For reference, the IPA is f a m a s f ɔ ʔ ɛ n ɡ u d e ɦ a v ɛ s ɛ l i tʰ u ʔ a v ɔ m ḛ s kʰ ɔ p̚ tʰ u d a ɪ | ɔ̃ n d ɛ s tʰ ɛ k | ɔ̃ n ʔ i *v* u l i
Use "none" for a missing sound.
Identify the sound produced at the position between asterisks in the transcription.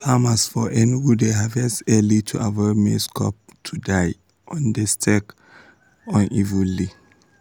v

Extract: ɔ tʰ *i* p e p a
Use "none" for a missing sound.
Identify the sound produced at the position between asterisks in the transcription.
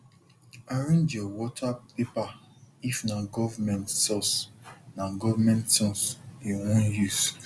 a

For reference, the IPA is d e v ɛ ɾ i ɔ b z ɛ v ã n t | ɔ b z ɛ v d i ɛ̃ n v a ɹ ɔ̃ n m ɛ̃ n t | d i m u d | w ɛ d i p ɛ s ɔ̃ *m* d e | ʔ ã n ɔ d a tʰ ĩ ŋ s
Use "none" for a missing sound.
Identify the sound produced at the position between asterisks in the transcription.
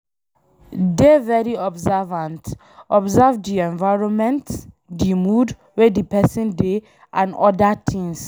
n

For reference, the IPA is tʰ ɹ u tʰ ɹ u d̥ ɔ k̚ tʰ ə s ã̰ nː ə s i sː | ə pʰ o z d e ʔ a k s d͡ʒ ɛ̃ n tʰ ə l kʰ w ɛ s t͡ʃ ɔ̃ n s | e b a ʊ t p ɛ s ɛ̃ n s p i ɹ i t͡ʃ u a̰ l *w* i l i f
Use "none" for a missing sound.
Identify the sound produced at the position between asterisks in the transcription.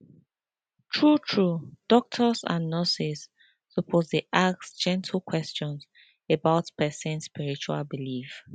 b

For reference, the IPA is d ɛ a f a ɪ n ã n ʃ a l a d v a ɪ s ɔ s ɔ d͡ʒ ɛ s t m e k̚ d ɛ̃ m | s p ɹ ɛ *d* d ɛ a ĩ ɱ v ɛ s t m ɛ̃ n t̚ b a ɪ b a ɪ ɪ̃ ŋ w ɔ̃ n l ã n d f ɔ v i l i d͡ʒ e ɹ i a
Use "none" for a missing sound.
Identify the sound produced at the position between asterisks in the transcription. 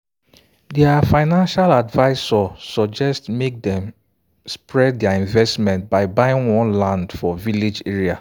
d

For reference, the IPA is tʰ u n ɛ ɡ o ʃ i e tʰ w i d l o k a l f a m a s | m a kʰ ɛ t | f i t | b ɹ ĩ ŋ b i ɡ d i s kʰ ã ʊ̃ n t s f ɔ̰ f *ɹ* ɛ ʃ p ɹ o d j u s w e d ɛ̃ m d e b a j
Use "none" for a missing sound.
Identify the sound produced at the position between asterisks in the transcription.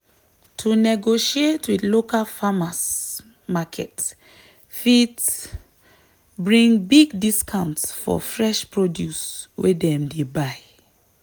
ɹ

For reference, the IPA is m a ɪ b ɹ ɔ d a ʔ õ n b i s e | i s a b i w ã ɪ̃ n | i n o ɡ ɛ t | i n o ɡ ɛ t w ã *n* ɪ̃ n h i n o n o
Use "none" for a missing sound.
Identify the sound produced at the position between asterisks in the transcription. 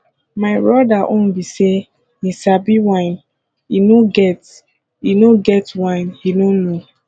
none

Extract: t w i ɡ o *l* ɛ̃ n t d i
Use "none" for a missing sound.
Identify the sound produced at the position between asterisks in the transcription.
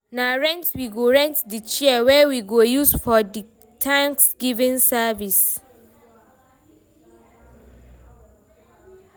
ɹ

